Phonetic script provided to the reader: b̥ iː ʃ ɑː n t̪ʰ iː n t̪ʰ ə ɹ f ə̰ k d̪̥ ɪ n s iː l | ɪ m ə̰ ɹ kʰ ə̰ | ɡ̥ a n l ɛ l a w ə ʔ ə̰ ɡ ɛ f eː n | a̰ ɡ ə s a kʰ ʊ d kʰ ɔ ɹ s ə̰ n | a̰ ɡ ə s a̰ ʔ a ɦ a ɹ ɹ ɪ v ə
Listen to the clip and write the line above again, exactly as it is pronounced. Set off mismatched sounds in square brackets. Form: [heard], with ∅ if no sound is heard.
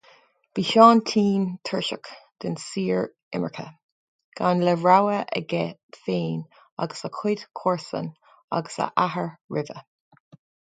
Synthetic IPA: b̥ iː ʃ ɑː n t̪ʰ iː n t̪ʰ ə ɹ [ʃ] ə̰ k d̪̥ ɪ n s iː [ɹ] | ɪ m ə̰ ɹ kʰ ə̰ | ɡ̥ a n l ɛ [ɹ] a w ə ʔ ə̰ ɡ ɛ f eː n | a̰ ɡ ə s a kʰ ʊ d kʰ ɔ ɹ s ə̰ n | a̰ ɡ ə s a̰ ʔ a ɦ [ə] ɹ ɹ ɪ v ə